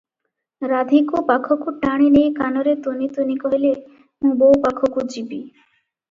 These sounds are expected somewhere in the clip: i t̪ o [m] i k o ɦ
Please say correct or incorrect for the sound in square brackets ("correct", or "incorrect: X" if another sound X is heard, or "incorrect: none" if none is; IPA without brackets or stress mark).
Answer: incorrect: n